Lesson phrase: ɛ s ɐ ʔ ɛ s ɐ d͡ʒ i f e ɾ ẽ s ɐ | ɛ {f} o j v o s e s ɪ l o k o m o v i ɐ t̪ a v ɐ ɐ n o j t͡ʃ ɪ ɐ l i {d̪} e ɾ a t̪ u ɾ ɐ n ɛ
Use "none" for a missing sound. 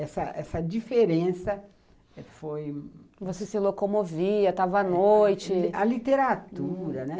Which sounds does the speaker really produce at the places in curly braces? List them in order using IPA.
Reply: f, t̪

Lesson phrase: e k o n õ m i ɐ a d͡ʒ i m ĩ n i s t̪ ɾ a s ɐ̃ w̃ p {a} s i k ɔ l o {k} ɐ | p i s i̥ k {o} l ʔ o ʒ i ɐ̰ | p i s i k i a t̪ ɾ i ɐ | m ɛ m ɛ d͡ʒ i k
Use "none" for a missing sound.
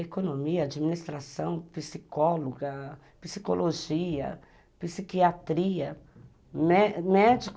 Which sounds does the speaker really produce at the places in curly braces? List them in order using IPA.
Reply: i, ɡ, o

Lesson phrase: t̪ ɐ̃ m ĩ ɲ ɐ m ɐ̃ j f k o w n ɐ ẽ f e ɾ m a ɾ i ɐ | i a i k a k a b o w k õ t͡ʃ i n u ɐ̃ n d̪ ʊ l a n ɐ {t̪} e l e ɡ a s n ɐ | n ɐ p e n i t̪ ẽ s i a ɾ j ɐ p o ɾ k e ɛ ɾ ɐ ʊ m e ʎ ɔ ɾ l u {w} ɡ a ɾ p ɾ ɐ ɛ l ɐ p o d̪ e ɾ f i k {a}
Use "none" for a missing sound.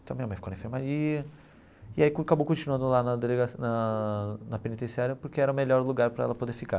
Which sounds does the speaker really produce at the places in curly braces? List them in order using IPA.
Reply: d̪, none, a

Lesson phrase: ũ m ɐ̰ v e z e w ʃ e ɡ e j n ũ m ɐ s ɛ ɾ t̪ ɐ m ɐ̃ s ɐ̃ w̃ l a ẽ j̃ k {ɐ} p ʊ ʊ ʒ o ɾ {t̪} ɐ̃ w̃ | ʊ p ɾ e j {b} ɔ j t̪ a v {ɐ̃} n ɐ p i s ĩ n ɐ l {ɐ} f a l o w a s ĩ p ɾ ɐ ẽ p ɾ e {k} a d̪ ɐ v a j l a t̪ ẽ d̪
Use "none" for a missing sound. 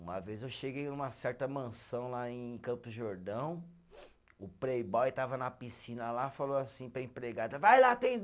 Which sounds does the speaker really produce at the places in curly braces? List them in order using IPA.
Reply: ɐ̃, d̪, b, ɐ, a, ɡ

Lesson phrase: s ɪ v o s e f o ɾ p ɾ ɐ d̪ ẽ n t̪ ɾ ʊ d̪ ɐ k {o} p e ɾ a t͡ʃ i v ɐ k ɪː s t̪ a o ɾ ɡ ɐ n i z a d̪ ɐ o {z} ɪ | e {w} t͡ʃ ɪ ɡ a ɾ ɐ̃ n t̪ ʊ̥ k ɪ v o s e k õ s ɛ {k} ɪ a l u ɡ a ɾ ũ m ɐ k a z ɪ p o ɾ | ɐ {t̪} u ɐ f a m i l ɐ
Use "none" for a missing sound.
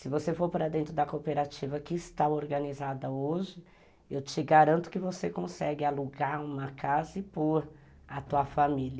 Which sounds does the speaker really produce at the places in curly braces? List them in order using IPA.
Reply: o, ʒ, w, ɡ, t̪

